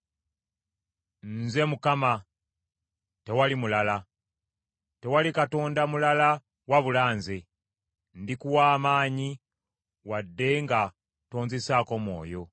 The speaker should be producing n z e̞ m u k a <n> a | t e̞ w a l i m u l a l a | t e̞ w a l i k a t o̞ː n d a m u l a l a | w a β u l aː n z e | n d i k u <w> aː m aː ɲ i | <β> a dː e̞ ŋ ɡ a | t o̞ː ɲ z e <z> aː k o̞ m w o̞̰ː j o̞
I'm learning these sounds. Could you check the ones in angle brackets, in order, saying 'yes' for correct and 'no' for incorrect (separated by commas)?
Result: no, yes, no, no